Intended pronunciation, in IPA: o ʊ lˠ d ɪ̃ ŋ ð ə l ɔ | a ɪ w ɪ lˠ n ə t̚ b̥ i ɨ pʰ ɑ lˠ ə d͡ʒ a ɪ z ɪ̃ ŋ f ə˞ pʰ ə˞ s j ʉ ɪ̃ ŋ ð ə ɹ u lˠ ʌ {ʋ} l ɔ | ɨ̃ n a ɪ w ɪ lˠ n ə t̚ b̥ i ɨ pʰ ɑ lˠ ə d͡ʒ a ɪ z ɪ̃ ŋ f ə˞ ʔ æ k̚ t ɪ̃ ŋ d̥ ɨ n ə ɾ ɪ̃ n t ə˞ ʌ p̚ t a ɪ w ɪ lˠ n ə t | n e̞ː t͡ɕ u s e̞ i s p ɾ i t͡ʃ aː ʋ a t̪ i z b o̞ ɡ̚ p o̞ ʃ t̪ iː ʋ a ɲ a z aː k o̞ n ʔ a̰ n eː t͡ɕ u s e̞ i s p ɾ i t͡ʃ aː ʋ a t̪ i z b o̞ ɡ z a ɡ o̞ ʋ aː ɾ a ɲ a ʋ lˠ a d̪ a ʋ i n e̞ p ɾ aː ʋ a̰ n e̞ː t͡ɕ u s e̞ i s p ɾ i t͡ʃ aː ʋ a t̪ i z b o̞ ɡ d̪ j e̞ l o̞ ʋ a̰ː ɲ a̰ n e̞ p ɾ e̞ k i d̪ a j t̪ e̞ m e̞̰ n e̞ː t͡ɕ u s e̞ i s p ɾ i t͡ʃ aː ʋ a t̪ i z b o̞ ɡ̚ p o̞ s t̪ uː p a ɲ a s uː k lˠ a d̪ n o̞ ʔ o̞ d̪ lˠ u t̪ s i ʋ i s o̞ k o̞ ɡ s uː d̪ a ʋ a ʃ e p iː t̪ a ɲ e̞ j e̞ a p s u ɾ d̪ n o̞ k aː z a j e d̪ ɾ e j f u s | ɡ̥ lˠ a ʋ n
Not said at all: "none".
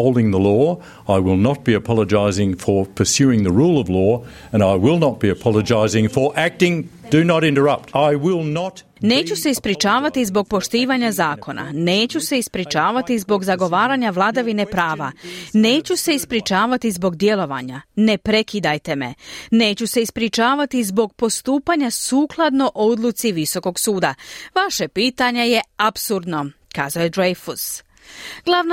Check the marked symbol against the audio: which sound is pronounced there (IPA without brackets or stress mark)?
v